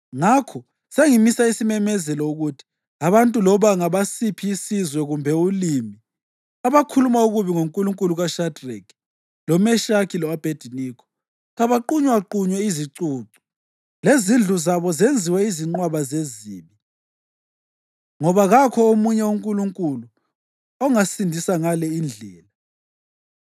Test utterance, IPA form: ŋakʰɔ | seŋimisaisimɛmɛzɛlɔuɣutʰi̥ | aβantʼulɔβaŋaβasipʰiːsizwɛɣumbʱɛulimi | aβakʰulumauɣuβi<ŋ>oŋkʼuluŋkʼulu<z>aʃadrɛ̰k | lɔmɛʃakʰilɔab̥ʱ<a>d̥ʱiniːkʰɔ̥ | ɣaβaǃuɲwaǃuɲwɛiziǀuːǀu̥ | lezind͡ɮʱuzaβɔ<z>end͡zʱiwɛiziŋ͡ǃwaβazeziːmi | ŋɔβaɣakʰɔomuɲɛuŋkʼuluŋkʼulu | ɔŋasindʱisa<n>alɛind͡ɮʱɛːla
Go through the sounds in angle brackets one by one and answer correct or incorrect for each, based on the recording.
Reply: correct, incorrect, incorrect, correct, incorrect

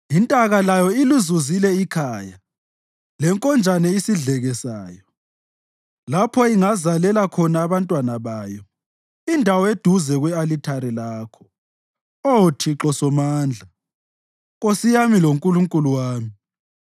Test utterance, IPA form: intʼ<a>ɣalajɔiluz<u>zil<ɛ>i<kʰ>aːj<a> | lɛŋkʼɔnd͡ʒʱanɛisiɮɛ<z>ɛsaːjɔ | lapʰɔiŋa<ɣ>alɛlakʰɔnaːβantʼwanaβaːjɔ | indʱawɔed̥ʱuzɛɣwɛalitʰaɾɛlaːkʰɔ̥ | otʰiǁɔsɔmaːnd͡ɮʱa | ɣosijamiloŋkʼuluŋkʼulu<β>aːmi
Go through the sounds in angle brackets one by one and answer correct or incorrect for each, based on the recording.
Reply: correct, correct, correct, correct, correct, incorrect, incorrect, incorrect

